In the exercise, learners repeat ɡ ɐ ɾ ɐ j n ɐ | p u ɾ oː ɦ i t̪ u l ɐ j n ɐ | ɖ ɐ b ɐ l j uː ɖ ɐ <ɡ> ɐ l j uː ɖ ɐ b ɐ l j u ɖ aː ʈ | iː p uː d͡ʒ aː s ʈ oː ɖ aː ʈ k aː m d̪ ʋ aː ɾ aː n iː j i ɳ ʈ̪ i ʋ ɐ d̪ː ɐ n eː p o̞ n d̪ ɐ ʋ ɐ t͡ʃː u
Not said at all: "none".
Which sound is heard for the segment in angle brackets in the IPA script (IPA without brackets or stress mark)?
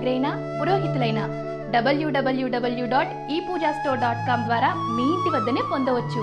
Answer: b